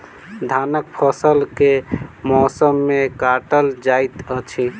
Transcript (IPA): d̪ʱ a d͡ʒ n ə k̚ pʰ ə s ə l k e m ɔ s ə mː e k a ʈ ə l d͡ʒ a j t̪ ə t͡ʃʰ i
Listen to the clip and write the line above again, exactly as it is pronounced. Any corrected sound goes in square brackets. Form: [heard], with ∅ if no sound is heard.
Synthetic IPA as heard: d̪ʱ a [∅] n ə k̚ pʰ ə s ə l k e m ɔ s ə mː e k a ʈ ə l d͡ʒ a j t̪ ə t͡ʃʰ i